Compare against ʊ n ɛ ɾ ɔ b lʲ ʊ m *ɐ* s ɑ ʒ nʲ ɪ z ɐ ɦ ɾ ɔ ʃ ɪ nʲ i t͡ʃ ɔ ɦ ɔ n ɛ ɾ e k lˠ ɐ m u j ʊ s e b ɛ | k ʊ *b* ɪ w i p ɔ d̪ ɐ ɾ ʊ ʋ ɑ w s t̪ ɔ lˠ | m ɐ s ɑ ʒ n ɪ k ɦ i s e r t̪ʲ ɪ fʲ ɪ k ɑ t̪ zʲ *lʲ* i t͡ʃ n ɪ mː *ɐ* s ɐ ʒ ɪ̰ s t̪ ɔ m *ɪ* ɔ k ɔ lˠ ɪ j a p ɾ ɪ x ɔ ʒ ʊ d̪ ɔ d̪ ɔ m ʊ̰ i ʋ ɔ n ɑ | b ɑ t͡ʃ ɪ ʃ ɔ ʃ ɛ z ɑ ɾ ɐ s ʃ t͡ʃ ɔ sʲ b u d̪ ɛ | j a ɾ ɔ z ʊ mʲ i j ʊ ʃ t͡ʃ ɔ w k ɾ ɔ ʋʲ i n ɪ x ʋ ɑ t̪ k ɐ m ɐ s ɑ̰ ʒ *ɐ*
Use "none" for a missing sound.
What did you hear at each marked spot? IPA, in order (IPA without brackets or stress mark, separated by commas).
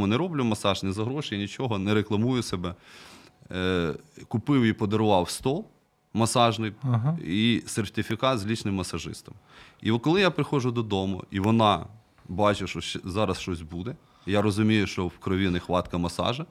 ɐ, p, lʲ, ɐ, i, ɐ